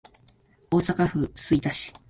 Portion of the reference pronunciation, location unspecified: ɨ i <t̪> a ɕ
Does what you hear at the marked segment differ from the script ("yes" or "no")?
no